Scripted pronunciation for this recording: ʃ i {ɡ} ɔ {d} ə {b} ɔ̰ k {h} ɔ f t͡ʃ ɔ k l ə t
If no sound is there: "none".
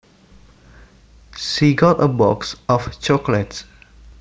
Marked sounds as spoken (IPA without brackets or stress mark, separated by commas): ɡ, t, b, s